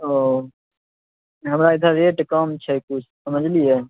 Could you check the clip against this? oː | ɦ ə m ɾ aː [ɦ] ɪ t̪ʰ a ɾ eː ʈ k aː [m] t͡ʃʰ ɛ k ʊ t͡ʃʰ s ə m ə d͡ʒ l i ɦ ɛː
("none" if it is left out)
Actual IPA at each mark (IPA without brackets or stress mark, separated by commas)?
none, m